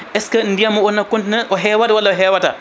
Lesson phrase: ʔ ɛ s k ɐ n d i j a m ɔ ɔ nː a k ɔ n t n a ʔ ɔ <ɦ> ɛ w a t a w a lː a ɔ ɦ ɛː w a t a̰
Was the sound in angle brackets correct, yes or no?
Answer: yes